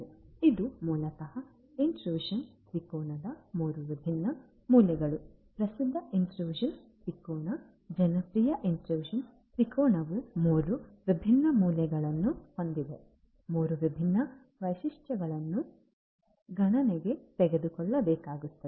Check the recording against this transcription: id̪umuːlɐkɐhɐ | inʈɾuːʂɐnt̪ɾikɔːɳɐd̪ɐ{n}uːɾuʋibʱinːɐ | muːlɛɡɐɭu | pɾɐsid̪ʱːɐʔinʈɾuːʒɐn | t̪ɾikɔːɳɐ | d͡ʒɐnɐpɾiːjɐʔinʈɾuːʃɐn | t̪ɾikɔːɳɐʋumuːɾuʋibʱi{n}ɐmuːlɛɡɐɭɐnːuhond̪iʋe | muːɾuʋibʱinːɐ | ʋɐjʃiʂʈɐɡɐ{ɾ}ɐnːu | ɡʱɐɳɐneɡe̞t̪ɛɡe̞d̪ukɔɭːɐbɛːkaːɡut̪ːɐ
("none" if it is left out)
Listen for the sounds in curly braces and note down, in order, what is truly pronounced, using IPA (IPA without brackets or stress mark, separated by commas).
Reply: m, nː, ɭ